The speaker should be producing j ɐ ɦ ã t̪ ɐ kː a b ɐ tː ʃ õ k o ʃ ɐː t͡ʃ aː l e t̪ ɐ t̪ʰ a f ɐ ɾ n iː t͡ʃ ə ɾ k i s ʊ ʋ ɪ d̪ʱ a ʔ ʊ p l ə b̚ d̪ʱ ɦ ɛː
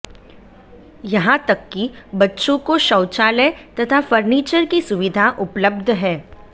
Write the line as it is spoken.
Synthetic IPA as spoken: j ɐ ɦ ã t̪ ɐ kː i b ɐ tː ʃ õ k o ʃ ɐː t͡ʃ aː l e t̪ ɐ t̪ʰ a f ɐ ɾ n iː t͡ʃ ə ɾ k i s ʊ ʋ ɪ d̪ʱ a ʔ ʊ p l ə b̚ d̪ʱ ɦ ɛː